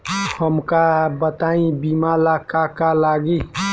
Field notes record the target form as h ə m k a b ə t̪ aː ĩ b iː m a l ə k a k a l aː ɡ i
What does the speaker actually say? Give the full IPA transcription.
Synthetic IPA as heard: h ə m k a b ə t̪ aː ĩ b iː m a l a k a k a l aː ɡ i